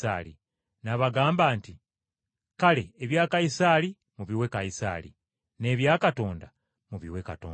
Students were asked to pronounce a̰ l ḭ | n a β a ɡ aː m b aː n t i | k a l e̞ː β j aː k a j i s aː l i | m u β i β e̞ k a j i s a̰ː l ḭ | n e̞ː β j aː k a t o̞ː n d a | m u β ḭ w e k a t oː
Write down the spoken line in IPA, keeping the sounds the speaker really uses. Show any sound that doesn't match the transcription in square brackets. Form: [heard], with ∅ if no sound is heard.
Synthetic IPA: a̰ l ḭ | n a β a ɡ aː m b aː n t i | k a l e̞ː β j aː k a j i s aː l i | m u β i [w] e̞ k a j i s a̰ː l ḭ | n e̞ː β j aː k a t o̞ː n d a | m u β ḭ w e k a t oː